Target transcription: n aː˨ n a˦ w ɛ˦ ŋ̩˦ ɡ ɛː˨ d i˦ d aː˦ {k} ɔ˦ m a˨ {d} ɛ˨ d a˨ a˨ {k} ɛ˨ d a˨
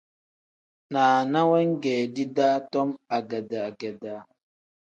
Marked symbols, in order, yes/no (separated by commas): no, no, no